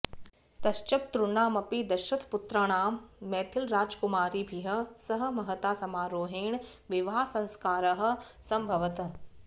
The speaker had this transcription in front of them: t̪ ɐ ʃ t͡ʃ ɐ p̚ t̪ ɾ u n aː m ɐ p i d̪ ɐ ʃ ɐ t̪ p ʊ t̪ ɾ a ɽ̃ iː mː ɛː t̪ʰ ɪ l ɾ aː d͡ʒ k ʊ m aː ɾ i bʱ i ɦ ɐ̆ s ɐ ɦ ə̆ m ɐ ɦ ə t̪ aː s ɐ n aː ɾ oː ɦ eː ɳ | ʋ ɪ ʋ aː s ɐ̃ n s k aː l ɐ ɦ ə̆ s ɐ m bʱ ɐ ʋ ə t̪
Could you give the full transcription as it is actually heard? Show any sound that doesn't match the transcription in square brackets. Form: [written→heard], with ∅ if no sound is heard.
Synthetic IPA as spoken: t̪ ɐ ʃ t͡ʃ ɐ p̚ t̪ ɾ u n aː m ɐ p i d̪ ɐ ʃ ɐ t̪ p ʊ t̪ ɾ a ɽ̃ [iː→aː] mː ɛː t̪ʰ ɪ l ɾ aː d͡ʒ k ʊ m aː ɾ i bʱ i ɦ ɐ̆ s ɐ ɦ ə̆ m ɐ ɦ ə t̪ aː s ɐ [n→m] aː ɾ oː ɦ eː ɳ | ʋ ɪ ʋ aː s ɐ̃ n s k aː [l→ɾ] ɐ ɦ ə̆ s ɐ m bʱ ɐ ʋ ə t̪